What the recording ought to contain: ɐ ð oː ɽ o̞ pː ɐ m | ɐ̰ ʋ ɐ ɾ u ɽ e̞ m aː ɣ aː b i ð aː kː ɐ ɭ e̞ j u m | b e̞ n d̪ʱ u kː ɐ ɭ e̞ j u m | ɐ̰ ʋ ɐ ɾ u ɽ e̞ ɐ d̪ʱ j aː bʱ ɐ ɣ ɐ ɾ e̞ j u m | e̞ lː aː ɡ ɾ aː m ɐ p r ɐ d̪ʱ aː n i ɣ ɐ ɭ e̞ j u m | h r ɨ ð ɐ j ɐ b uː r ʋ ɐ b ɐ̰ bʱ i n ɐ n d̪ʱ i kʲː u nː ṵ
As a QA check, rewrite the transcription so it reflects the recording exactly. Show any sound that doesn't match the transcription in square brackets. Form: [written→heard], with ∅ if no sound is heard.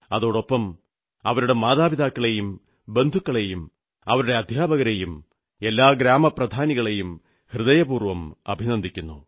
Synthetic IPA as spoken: ɐ ð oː ɽ o̞ pː ɐ m | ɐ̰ ʋ ɐ ɾ u ɽ e̞ m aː [ɣ→ð] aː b i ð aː kː ɐ ɭ e̞ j u m | b e̞ n d̪ʱ u kː ɐ ɭ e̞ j u m | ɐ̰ ʋ ɐ ɾ u ɽ e̞ ɐ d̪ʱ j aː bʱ ɐ ɣ ɐ ɾ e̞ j u m | e̞ lː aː ɡ ɾ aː m ɐ p r ɐ d̪ʱ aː n i ɣ ɐ ɭ e̞ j u m | h r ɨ ð ɐ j ɐ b uː r ʋ ɐ [b→m] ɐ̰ bʱ i n ɐ n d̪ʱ i kʲː u nː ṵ